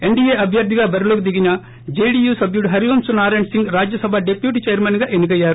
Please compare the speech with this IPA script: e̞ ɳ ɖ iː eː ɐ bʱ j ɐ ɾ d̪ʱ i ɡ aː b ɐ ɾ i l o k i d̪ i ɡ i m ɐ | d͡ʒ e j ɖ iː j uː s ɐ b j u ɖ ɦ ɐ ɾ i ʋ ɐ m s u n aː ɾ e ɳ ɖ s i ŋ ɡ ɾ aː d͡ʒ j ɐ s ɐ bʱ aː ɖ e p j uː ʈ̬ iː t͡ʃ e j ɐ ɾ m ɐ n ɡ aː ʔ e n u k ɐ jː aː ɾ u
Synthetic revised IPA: e̞ ɳ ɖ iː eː ɐ bʱ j ɐ ɾ d̪ʱ i ɡ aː b ɐ ɾ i l o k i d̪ i ɡ i n ɐ | d͡ʒ e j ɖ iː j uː s ɐ b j u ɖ ɦ ɐ ɾ i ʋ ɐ m s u n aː ɾ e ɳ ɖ s i ŋ ɡ ɾ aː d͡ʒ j ɐ s ɐ bʱ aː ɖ e p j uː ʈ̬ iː t͡ʃ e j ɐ ɾ m ɐ n ɡ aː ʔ e n u k ɐ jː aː ɾ u